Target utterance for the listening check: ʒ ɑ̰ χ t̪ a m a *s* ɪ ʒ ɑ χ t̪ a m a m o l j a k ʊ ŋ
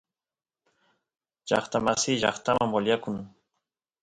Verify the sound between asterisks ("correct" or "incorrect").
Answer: correct